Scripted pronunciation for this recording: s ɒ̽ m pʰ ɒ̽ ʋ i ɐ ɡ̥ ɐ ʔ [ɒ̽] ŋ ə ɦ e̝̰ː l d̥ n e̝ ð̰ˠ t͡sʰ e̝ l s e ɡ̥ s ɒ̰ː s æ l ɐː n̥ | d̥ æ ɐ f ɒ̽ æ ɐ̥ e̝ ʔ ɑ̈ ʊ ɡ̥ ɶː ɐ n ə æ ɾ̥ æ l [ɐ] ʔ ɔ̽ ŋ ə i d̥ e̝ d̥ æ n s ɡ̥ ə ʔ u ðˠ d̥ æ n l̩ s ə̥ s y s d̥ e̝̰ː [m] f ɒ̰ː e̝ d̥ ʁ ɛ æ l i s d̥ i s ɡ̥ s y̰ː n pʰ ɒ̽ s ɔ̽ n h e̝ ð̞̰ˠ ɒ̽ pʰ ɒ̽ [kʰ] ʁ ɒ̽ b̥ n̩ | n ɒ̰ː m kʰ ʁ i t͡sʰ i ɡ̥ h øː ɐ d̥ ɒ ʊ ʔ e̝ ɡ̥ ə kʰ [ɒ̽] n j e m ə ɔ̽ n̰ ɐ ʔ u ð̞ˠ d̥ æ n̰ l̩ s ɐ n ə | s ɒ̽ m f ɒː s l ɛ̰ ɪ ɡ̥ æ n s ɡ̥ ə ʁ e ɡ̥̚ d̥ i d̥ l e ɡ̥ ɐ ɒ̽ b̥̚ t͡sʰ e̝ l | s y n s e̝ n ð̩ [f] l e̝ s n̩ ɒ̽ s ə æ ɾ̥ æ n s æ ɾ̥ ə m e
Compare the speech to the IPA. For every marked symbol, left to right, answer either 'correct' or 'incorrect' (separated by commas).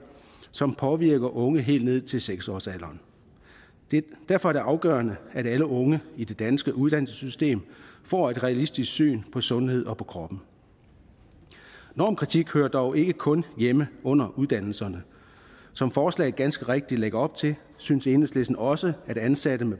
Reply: incorrect, incorrect, correct, correct, incorrect, incorrect